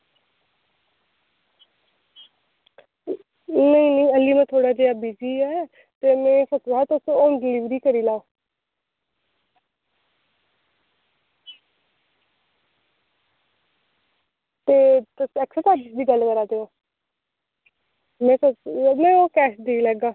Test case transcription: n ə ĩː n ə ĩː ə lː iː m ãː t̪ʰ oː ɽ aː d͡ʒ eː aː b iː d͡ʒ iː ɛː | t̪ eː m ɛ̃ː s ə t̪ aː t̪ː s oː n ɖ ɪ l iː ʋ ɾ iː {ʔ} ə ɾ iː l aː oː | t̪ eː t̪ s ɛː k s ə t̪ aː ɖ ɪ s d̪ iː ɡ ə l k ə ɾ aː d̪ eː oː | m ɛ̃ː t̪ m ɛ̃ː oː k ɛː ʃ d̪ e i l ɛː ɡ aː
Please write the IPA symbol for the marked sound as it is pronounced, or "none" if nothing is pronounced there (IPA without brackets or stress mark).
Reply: k